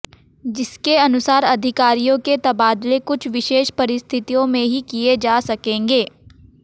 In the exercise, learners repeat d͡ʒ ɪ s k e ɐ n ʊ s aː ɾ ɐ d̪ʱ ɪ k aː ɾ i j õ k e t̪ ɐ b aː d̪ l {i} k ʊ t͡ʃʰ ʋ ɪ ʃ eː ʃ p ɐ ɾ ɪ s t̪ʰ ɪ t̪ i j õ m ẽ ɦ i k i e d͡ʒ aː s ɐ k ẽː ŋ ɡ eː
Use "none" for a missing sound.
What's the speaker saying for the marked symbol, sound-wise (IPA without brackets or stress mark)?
e